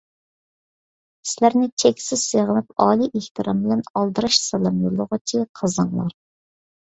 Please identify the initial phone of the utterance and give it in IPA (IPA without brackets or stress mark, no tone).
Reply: s